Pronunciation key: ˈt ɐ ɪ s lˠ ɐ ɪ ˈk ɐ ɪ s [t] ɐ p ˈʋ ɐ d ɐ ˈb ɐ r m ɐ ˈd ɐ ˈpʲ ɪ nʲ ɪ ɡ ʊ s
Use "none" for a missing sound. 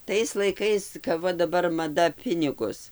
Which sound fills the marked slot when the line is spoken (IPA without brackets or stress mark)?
k